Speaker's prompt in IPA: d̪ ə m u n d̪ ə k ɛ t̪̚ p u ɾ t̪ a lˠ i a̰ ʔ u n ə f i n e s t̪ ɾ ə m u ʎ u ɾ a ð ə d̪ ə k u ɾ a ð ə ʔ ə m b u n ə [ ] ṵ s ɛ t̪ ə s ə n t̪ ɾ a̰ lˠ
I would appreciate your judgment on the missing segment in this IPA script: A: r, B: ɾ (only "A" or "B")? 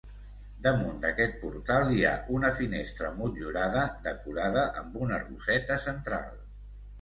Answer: A